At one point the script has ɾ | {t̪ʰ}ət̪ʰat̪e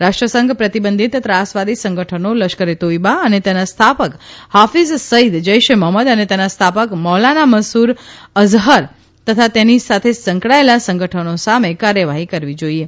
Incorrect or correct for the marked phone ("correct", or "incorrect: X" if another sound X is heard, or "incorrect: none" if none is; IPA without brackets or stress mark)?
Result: incorrect: t̪